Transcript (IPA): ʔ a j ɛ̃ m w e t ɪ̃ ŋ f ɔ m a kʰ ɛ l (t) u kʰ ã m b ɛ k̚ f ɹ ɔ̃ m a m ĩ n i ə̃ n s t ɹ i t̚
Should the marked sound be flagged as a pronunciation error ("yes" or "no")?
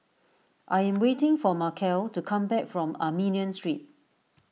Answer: no